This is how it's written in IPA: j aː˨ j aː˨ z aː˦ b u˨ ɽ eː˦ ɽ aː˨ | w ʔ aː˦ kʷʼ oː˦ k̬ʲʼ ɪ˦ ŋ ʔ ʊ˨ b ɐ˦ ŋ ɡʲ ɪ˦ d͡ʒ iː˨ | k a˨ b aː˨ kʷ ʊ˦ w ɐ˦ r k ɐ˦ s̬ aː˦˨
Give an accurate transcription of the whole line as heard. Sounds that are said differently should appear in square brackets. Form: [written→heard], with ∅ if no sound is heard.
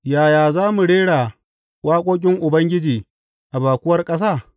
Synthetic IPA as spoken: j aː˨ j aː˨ z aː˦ [b→m] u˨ ɽ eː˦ ɽ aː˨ | w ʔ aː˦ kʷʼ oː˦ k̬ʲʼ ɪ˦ ŋ ʔ ʊ˨ b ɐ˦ ŋ ɡʲ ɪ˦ d͡ʒ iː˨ | [k→ʔ] a˨ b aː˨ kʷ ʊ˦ w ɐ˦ r [k→kʼ] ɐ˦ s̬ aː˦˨